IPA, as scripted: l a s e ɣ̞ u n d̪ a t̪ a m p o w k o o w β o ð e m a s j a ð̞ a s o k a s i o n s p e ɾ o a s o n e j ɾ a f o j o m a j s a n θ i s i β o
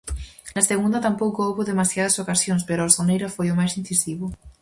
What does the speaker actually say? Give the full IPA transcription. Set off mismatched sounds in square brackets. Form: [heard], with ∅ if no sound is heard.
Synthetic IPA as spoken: l a s e ɣ̞ u n d̪ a t̪ a m p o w k o o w β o ð e m a s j a ð̞ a s o k a s [j] o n s p e ɾ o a s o n e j ɾ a f o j o m a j s [i] n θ i s i β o